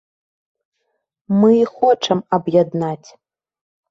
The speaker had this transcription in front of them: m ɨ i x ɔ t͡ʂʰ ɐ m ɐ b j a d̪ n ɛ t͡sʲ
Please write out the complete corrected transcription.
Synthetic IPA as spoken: m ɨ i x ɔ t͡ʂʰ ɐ m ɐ b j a d̪ n a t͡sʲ